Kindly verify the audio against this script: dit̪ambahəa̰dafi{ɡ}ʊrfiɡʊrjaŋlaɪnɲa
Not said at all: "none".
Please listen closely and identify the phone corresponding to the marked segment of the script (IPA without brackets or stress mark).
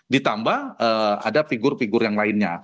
ɡ